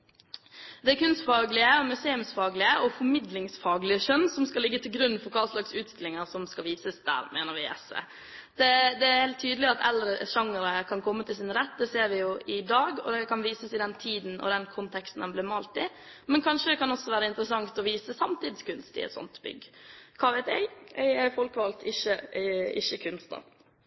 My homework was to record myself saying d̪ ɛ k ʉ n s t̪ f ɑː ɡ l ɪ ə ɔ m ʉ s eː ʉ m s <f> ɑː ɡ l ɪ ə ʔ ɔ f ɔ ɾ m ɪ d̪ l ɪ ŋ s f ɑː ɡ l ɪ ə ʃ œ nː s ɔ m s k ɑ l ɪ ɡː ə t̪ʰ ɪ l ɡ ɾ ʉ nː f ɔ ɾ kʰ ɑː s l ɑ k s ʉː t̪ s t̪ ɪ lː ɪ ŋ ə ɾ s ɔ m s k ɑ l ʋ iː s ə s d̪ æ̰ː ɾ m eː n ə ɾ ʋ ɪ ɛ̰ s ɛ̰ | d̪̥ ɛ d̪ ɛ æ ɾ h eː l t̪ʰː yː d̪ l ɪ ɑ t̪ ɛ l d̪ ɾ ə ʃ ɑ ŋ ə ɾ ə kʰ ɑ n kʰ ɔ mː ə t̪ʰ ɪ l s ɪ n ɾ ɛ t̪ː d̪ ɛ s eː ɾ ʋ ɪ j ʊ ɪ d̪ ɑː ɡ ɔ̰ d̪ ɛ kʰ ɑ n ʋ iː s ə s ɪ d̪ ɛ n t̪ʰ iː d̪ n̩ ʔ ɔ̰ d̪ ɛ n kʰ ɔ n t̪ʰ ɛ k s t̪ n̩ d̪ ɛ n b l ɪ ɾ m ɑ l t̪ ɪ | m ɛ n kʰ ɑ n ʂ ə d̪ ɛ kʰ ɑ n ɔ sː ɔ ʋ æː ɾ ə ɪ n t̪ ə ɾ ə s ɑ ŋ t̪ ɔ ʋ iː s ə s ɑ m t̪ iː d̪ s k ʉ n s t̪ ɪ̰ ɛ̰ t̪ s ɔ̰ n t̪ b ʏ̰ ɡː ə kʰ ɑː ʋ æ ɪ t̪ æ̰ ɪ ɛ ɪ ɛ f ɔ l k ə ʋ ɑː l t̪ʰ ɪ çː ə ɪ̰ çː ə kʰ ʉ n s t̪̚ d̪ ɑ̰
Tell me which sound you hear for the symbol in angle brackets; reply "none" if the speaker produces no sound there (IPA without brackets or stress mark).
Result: f